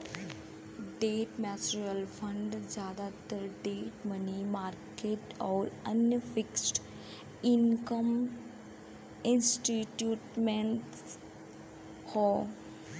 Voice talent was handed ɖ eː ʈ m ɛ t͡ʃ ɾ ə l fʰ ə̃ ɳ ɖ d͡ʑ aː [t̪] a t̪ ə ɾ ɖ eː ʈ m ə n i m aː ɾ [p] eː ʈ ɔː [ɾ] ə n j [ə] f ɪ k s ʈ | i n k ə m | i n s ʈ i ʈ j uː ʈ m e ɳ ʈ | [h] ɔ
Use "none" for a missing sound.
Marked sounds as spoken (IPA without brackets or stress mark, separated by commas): d̪, k, ɾ, ə, h